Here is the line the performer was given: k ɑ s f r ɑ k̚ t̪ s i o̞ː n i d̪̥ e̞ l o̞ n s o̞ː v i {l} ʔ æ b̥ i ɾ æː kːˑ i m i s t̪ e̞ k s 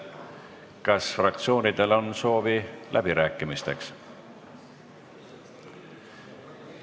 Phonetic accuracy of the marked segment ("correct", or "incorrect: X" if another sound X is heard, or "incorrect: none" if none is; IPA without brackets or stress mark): correct